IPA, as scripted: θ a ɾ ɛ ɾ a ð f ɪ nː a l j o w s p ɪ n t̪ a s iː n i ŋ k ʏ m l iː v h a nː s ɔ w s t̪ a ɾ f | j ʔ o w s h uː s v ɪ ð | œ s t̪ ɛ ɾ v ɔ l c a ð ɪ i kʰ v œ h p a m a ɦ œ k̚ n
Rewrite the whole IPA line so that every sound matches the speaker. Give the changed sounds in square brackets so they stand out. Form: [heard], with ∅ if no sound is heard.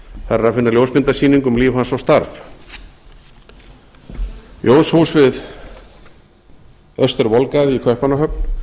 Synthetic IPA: θ a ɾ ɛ ɾ a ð f ɪ nː a l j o w s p ɪ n t̪ a s iː n i ŋ k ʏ m l iː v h a [n] s ɔ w s t̪ a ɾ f | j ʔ o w s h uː s v ɪ ð | œ s t̪ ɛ ɾ v ɔ l [k] a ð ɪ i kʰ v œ h p a [n] a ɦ œ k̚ n

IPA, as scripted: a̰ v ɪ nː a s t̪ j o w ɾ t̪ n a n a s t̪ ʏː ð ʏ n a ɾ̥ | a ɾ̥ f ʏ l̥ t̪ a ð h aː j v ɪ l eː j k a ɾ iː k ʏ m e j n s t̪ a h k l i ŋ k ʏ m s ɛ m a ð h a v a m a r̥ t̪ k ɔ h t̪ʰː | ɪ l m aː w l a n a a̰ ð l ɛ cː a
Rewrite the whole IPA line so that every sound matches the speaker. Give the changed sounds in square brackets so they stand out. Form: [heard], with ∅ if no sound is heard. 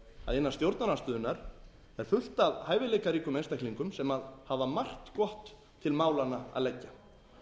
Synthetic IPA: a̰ [ð] ɪ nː a s t̪ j o w ɾ t̪ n a n a s t̪ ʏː ð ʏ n a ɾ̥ | [ɛ] ɾ̥ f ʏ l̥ t̪ a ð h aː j v ɪ l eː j k a ɾ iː k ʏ m e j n s t̪ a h k l i ŋ k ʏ m s ɛ m a ð h a v a m a r̥ t̪ k ɔ h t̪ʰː | ɪ l m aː w l a n a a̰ ð l ɛ cː a

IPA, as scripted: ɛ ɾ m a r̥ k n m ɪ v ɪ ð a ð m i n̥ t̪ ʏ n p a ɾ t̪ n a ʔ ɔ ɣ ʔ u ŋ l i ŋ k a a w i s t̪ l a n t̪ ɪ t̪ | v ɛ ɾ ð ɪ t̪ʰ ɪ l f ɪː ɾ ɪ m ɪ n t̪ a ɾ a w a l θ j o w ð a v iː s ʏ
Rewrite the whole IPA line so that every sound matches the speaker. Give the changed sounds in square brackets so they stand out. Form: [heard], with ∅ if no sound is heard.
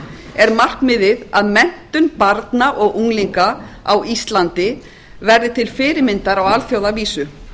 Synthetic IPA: ɛ ɾ m a r̥ k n m ɪ [ð] ɪ ð a ð m [ɛ] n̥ t̪ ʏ n p a ɾ t̪ n a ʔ ɔ ɣ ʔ u ŋ l i ŋ k a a w i s t̪ l a n t̪ ɪ [∅] | v ɛ ɾ ð ɪ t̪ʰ ɪ l f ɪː ɾ ɪ m ɪ n t̪ a ɾ a w a l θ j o w ð a v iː s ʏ

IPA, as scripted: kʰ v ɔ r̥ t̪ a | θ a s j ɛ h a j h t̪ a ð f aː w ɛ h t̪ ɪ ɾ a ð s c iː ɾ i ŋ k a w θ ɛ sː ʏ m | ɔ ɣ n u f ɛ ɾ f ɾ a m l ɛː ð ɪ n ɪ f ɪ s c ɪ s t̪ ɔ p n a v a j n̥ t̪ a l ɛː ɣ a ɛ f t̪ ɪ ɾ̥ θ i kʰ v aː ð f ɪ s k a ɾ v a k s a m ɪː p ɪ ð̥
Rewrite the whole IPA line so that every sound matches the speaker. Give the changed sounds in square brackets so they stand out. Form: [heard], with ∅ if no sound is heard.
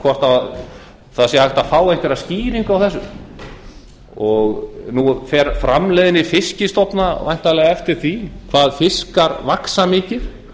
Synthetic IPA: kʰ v ɔ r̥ t̪ a | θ a s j ɛ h a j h t̪ a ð f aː w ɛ h t̪ ɪ ɾ a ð s c iː ɾ i ŋ k a w θ ɛ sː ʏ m | ɔ ɣ n u f ɛ ɾ f ɾ a m l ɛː ð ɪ n ɪ f ɪ s c ɪ s t̪ ɔ p n a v a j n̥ t̪ a l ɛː ɣ a ɛ f t̪ ɪ ɾ̥ θ i kʰ v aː ð f ɪ s k a ɾ v a k s a m ɪː [c] ɪ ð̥

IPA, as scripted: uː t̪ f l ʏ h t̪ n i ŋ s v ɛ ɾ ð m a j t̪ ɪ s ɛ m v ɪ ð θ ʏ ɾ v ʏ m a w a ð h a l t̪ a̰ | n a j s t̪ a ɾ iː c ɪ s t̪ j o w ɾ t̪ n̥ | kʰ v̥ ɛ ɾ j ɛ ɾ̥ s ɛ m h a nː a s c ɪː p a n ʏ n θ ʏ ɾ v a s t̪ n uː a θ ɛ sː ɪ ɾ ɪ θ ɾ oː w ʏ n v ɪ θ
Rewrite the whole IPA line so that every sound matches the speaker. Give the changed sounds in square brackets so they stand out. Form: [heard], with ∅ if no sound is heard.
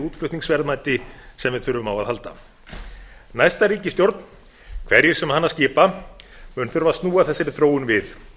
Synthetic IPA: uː t̪ f l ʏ h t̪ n i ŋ s v ɛ ɾ ð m a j t̪ ɪ s ɛ m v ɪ ð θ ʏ ɾ v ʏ m a w a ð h a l t̪ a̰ | n a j s t̪ a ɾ iː c ɪ s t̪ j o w ɾ t̪ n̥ | kʰ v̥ ɛ ɾ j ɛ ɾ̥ s ɛ m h a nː a s c ɪː p a [m] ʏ n θ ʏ ɾ v a s t̪ n uː a θ ɛ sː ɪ ɾ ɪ θ ɾ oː w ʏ n v ɪ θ

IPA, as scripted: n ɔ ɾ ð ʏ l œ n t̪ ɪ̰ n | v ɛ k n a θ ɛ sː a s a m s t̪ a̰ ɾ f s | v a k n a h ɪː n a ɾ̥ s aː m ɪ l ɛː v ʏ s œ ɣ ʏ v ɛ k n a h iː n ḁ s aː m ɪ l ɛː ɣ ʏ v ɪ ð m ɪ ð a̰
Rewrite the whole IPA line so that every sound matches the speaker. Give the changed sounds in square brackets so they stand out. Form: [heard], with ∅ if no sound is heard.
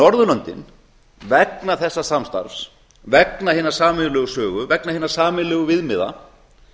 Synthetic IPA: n ɔ ɾ ð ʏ l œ n t̪ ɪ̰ n | v ɛ k n a θ ɛ sː a s a m s t̪ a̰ ɾ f s | v [ɛ] k n a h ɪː n a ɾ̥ s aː m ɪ l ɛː [ɣ] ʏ s [œː] ɣ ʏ v ɛ k n a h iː n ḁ s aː m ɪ l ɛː ɣ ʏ v ɪ ð m ɪ ð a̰

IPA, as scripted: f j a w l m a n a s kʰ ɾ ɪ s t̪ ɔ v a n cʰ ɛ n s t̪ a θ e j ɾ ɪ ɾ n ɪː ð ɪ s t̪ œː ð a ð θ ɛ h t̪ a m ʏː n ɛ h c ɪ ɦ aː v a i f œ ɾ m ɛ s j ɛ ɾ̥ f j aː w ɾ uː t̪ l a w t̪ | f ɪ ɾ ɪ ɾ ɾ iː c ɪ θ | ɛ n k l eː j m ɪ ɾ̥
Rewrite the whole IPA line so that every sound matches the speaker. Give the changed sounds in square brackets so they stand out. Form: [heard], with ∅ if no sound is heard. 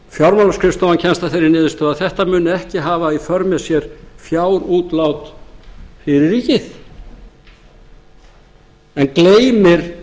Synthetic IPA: f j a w [ɾ] m a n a s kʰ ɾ ɪ s t̪ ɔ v a n cʰ ɛ n s t̪ a θ e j ɾ ɪ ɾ n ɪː ð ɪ s t̪ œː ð a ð θ ɛ h t̪ a m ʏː n ɛ h c ɪ ɦ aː v a i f œ ɾ m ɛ s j ɛ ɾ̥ f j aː w ɾ uː t̪ l a w t̪ | f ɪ ɾ ɪ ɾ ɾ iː c ɪ θ | ɛ n k l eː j m ɪ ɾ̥

